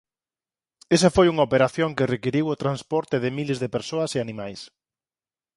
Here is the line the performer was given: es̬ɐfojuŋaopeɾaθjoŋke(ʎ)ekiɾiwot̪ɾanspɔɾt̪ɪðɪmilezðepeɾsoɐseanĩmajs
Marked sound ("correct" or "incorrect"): incorrect